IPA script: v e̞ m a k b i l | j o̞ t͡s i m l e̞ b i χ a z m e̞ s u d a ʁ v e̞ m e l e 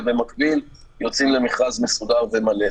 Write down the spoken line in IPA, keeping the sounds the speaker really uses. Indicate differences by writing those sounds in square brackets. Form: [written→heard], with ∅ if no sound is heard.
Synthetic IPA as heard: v e̞ m a k b i l | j o̞ t͡s i m l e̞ [b→m] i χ a z m e̞ s u d a ʁ v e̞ m [e→a] l e